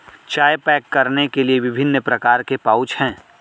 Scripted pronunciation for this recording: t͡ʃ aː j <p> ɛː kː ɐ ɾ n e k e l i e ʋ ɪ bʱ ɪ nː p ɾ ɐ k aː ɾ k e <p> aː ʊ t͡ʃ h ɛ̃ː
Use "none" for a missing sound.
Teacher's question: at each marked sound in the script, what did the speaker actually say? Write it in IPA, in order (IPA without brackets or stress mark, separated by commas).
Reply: p, p